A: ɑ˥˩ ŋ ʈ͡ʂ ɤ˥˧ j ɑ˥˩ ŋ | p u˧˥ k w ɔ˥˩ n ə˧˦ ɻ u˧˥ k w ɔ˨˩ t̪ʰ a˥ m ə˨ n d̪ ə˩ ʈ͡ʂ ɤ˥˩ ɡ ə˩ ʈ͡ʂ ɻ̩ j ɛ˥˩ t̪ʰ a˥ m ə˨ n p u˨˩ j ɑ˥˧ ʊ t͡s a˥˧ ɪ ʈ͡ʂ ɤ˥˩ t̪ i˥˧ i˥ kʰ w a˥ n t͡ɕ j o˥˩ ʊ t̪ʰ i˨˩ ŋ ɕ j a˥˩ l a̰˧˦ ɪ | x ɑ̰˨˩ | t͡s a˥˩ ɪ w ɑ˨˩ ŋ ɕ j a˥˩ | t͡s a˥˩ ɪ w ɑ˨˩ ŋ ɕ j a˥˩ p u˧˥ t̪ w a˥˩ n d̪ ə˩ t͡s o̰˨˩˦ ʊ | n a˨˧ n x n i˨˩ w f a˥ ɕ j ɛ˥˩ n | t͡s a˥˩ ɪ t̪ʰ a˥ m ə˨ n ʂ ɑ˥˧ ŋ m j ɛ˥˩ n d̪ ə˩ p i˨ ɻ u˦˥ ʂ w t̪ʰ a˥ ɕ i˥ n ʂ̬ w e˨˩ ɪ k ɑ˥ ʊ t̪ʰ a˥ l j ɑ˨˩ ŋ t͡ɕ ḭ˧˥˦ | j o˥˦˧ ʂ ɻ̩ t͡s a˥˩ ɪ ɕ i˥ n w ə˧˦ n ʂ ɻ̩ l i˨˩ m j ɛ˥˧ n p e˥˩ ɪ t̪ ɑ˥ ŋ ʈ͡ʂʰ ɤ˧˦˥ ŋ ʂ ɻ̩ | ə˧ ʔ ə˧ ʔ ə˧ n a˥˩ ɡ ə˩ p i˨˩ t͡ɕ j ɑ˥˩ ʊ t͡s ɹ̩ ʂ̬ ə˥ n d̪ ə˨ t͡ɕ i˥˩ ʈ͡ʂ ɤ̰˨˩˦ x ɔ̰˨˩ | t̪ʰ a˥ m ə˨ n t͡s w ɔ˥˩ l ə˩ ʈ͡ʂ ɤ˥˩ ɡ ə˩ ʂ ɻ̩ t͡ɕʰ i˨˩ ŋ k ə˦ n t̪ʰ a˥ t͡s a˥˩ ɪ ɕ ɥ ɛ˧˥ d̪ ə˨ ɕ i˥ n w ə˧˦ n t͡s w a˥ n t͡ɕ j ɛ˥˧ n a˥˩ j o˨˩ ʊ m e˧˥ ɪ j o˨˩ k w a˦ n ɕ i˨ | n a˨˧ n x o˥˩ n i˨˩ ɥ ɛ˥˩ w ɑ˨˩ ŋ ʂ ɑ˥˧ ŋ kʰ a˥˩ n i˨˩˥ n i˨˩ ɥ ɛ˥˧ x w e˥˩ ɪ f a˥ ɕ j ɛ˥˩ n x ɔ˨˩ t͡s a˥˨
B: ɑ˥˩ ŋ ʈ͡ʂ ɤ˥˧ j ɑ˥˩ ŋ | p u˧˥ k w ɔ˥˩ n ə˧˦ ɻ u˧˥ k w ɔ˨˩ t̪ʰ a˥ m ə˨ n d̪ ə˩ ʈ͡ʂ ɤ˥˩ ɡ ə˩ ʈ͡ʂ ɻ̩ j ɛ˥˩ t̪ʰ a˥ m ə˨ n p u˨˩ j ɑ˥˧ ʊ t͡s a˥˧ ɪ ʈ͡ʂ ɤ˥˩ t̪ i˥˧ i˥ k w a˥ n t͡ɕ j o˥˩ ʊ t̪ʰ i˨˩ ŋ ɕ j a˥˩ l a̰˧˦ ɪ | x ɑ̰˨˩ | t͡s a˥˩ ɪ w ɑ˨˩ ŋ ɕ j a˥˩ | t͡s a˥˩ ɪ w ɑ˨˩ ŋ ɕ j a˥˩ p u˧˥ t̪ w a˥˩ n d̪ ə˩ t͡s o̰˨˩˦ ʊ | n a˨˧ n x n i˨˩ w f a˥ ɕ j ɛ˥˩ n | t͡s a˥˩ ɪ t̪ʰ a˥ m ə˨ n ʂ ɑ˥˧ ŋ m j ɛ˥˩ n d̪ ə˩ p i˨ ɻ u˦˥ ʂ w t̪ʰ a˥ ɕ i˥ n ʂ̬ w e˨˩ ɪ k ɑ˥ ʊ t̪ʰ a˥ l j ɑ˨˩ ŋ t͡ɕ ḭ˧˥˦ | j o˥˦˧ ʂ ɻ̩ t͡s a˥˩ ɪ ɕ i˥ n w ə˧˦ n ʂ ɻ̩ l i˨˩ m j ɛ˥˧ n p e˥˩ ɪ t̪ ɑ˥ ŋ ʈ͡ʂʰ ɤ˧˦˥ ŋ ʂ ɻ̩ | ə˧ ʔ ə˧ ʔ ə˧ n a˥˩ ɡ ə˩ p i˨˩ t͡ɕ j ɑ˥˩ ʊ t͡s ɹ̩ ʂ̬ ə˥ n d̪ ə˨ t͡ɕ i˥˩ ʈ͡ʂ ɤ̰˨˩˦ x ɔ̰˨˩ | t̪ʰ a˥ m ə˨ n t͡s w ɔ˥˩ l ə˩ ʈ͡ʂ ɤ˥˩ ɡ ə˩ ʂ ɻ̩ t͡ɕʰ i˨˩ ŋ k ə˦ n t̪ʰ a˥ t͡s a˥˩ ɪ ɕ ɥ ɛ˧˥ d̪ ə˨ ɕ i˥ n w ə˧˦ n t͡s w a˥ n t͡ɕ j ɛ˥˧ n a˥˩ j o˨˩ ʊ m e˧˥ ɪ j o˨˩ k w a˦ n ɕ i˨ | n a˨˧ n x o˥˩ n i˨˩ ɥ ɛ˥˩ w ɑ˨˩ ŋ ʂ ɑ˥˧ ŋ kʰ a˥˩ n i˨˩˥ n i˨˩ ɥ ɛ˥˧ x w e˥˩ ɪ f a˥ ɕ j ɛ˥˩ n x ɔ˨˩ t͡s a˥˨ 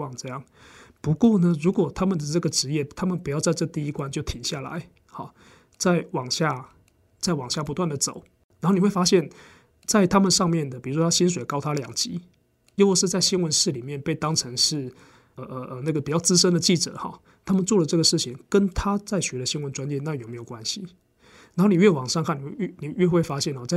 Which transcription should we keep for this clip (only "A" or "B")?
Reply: B